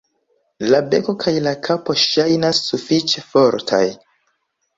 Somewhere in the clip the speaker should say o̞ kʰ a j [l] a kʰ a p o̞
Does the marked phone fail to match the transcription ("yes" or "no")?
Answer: no